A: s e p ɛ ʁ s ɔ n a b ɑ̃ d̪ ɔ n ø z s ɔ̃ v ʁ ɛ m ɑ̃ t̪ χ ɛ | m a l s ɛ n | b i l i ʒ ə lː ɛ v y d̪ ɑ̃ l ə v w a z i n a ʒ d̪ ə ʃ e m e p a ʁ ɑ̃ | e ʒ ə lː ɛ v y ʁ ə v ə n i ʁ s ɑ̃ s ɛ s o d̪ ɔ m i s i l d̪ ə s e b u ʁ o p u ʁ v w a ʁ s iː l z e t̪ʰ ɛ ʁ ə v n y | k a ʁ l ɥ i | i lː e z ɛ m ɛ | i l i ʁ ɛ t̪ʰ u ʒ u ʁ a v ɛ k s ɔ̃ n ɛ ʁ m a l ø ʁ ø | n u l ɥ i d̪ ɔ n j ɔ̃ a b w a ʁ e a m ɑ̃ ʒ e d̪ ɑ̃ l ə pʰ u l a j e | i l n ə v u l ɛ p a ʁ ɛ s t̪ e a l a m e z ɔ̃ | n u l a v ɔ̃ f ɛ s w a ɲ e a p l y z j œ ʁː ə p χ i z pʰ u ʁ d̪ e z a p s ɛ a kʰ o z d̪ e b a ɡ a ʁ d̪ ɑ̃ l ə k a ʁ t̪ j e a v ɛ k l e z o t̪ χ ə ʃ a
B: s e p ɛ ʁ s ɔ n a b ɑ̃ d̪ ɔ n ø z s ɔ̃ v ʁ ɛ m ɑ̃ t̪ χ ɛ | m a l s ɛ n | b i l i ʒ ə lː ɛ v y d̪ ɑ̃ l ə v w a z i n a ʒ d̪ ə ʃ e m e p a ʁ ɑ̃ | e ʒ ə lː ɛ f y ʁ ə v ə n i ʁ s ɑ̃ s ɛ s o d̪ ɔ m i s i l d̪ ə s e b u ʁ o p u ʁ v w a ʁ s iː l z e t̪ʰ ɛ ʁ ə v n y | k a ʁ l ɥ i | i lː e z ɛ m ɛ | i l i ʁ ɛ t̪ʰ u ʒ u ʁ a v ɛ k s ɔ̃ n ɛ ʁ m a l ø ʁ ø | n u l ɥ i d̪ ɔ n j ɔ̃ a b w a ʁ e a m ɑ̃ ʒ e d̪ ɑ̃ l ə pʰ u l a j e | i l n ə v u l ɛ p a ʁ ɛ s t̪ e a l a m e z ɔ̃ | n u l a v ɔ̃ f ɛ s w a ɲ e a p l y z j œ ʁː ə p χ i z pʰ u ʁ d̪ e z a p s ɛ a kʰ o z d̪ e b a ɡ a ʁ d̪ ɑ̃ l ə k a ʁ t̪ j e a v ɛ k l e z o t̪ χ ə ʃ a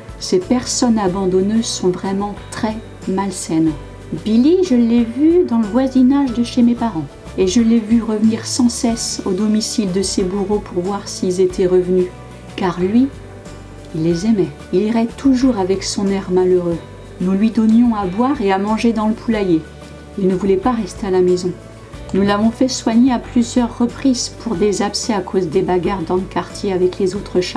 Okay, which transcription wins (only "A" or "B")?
A